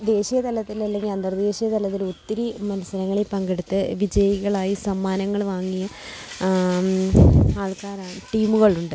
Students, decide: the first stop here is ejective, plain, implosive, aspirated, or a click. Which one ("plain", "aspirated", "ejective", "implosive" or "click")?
plain